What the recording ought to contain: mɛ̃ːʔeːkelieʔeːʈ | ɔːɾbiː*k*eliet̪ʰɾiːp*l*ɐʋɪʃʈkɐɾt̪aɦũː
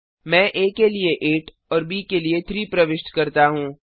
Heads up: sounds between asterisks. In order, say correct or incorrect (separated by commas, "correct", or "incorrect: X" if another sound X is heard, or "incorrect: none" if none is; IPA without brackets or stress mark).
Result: correct, incorrect: ɾ